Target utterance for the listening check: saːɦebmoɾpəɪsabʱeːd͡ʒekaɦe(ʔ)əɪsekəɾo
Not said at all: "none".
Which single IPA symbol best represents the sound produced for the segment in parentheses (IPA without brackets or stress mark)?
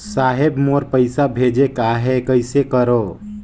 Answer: k